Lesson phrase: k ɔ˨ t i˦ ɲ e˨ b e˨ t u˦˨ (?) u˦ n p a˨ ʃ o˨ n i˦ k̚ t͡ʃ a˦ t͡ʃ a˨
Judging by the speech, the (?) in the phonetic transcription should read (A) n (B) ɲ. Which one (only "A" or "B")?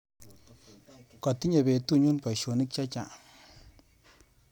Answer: B